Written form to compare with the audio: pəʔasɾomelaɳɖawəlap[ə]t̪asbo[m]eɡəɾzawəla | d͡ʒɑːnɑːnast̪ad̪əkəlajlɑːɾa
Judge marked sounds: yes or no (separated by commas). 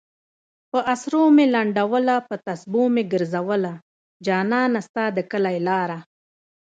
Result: yes, yes